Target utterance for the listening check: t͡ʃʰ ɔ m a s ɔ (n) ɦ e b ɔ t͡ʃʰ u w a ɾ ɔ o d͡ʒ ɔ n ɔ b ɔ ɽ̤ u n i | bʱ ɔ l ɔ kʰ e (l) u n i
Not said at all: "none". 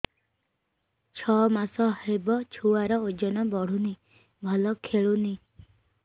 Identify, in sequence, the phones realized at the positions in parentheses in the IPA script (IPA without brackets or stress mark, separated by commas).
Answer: none, ɭ